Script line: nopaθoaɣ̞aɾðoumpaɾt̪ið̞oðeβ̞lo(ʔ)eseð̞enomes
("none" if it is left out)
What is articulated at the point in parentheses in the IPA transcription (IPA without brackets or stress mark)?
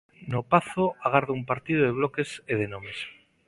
k